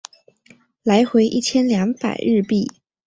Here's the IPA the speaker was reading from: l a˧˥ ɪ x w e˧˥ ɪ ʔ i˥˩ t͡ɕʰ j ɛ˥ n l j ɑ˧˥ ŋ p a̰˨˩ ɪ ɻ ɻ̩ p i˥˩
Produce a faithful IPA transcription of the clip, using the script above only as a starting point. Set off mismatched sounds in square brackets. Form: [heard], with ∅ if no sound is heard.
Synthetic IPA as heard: l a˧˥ ɪ x w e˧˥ ɪ ʔ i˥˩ t͡ɕʰ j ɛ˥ n l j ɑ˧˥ ŋ p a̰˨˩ ɪ ɻ ɻ̩ p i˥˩